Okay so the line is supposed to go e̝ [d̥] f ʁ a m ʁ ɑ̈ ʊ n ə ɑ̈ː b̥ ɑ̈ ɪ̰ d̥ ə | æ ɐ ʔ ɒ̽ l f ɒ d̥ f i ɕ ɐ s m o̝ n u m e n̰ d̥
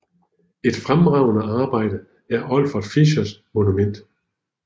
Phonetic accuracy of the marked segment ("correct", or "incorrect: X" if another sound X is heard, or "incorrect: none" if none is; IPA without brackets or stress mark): correct